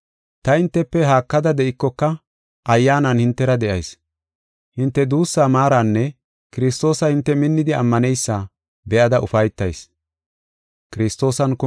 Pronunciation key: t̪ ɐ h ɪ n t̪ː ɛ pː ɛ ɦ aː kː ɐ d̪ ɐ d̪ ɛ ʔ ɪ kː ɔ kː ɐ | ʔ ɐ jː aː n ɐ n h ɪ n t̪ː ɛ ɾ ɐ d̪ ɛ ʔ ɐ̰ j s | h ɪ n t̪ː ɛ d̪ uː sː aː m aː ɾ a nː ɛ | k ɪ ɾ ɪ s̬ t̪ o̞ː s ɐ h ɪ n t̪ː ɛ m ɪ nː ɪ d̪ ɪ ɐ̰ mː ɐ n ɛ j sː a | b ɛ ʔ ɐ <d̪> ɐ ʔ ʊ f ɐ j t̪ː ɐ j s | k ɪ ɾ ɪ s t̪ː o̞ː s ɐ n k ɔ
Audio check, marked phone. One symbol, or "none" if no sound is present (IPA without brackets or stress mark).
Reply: d̪